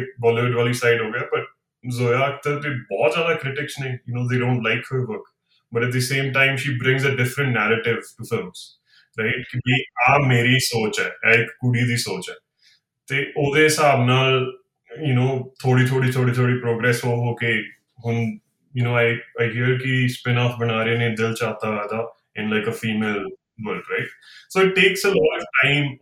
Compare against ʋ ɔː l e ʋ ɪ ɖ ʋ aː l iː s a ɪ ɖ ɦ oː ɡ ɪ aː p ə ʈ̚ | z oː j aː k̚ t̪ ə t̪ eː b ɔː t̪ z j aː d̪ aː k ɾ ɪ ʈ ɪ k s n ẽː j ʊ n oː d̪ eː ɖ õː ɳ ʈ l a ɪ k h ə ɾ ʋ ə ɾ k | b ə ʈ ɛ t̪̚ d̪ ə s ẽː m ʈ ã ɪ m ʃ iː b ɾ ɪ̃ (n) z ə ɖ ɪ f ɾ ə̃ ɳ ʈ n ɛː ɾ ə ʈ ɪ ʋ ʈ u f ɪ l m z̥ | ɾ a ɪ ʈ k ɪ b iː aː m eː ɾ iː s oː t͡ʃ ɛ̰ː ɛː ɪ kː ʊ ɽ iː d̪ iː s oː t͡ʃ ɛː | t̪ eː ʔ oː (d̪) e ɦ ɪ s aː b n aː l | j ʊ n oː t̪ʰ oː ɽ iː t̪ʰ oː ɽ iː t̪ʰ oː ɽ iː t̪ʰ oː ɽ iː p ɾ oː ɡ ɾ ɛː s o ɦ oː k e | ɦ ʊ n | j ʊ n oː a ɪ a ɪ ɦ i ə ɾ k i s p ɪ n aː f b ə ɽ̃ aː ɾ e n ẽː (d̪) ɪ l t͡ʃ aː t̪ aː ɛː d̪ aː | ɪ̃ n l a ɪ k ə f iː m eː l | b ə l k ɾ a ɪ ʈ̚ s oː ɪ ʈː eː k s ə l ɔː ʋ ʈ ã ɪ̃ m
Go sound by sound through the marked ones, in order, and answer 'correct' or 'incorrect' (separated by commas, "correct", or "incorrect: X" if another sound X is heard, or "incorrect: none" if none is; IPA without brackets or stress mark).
incorrect: ŋ, correct, correct